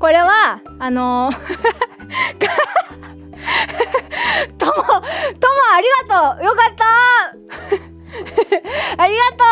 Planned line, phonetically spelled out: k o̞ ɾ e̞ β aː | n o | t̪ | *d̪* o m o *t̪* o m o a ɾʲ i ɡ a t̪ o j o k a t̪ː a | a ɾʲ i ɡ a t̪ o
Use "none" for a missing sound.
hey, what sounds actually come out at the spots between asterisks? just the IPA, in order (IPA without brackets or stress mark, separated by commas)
t̪, t̪